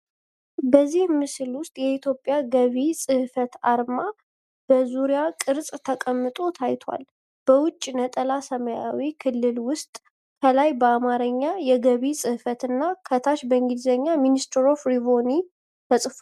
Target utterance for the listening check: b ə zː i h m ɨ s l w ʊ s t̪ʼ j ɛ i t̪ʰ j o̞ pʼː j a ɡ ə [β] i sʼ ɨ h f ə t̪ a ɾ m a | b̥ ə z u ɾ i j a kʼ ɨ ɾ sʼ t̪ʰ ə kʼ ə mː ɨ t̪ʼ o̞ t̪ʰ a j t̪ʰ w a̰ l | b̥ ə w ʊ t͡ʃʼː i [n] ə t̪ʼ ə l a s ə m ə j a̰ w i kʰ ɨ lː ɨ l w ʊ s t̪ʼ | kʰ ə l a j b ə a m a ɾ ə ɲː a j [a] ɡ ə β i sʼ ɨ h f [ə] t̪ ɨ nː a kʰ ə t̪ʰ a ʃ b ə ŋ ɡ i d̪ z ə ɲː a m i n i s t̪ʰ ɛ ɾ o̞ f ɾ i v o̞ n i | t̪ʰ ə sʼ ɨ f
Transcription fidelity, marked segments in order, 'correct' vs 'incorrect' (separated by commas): correct, correct, incorrect, correct